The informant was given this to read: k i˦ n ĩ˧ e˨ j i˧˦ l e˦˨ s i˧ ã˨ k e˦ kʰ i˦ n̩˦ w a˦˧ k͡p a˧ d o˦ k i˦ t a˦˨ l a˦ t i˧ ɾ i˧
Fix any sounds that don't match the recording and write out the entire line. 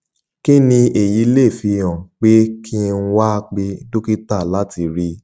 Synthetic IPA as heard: k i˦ n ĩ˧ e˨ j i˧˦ l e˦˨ f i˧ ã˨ k͡p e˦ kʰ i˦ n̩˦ w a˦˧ k͡p e˧ d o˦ k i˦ t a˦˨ l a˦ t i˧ ɾ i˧